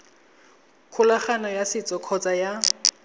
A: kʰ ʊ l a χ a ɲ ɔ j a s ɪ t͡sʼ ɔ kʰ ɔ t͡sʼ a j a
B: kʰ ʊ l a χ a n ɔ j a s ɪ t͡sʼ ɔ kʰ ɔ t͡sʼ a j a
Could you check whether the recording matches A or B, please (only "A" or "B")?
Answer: B